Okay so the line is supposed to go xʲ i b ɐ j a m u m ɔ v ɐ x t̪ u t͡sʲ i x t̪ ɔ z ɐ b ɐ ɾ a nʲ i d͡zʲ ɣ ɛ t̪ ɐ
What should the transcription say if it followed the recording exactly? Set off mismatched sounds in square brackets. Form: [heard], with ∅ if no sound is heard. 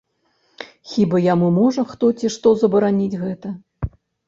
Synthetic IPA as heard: xʲ i b ɐ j a m u m ɔ [ʐ] ɐ x t̪ [ɔ] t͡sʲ i [ʂ] t̪ ɔ z ɐ b ɐ ɾ a nʲ i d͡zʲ ɣ ɛ t̪ ɐ